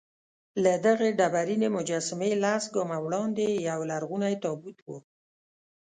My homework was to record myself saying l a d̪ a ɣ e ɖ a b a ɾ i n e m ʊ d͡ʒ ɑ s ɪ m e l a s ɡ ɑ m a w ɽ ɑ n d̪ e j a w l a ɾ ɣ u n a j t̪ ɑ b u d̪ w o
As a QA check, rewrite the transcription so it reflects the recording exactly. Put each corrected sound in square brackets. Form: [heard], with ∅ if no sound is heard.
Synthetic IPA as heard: l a d̪ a ɣ e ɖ a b a ɾ i n e m ʊ d͡ʒ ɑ s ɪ m e l a s ɡ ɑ m a w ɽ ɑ n d̪ e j a w l a ɾ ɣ u n a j t̪ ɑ b u [t̪] w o